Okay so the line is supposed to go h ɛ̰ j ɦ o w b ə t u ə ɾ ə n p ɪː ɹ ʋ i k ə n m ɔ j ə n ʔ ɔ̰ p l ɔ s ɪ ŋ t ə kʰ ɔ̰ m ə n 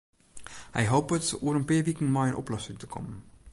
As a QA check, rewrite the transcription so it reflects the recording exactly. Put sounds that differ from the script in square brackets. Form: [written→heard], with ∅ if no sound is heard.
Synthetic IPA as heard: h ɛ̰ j ɦ o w [b→p] ə t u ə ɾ ə n p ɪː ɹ ʋ i k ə n m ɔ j ə n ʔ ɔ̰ p l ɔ s ɪ ŋ t ə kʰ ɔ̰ m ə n

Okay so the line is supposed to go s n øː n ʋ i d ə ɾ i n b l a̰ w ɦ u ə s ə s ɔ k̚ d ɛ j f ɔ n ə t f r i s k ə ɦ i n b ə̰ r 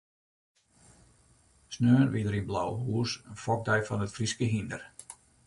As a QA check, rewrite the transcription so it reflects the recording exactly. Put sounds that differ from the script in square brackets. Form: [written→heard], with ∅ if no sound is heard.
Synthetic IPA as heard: s n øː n ʋ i d ə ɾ i n b l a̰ w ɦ u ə s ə [s→f] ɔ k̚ d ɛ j f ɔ n ə t f r i s k ə ɦ i n [b→d] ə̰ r

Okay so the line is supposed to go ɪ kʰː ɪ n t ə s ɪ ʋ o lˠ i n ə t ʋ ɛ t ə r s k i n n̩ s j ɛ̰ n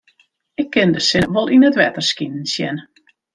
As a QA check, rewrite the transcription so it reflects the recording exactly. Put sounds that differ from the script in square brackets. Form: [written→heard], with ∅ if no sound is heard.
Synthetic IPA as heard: ɪ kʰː ɪ n [t→d] ə s ɪ ʋ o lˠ i n ə t ʋ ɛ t ə r s k i n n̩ s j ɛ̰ n

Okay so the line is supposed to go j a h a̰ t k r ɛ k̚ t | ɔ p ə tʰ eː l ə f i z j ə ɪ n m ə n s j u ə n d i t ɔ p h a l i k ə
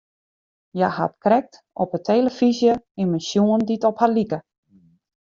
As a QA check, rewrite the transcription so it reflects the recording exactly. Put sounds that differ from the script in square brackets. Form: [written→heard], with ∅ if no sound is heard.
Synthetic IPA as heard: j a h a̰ t k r ɛ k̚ t | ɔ p ə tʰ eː l ə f i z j ə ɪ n m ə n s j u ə n d i t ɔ p h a l i k ə

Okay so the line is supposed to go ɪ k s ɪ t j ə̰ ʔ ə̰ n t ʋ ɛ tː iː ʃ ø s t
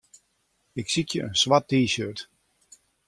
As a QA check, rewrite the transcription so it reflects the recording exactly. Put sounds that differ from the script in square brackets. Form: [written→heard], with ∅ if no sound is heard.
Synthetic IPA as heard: ɪ k s [ɪ→i] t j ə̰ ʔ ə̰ n [t→s] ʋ [ɛ→a] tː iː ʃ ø [s→∅] t

